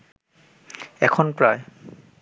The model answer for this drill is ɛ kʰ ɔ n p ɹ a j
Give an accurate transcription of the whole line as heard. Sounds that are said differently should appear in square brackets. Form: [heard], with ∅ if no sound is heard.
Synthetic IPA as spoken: ɛ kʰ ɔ n p ɹ a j